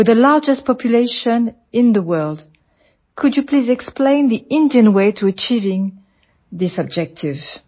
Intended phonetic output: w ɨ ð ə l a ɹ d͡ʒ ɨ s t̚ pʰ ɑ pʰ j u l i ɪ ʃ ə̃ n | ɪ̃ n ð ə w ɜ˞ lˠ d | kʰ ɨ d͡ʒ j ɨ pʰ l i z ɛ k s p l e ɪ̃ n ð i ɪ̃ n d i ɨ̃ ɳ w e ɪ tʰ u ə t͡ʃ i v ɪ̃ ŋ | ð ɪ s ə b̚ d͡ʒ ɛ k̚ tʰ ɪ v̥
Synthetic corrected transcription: w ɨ ð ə l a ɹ d͡ʒ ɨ s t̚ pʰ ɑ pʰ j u l e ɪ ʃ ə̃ n | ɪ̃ n ð ə w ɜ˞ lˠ d | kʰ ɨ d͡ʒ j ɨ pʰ l i z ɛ k s p l ẽ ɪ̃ n ð i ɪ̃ n d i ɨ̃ n w e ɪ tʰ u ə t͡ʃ i v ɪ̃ ŋ | ð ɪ s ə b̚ d͡ʒ ɛ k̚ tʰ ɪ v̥